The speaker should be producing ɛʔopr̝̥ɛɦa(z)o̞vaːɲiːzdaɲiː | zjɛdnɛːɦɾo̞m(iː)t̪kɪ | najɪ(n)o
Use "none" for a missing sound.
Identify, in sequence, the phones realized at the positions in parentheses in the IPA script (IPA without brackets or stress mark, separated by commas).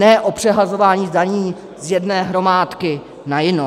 z, aː, n